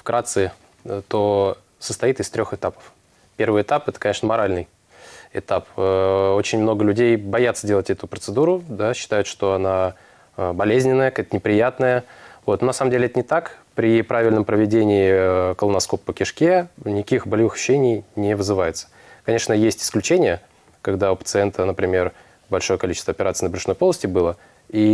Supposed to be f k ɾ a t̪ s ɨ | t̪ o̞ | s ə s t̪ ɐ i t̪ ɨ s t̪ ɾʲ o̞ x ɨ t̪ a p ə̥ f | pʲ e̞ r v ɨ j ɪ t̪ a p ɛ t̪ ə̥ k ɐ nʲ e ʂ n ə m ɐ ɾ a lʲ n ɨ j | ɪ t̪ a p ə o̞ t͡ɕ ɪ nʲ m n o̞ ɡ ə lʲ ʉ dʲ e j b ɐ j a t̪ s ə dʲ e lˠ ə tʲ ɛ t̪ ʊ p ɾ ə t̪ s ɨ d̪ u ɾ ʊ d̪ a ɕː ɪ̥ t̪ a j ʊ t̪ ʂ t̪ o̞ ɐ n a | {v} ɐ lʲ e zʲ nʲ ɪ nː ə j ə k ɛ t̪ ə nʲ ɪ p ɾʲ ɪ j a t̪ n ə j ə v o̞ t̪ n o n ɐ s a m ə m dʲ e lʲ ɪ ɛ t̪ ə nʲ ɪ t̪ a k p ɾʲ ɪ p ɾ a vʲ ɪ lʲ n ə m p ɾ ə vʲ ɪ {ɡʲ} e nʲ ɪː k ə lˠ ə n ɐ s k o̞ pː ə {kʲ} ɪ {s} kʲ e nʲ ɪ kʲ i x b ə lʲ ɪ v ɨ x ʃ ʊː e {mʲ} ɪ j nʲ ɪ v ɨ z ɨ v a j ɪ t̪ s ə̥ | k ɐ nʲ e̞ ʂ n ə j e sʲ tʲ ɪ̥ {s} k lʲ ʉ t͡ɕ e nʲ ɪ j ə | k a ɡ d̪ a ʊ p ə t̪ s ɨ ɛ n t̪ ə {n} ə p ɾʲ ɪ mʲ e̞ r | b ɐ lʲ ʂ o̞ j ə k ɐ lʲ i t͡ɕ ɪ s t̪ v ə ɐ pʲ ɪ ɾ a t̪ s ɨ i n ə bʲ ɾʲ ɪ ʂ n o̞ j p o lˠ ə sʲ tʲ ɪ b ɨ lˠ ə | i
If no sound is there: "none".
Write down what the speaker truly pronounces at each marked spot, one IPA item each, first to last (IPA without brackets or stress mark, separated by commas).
b, dʲ, kʲ, ʂ, nʲ, s, n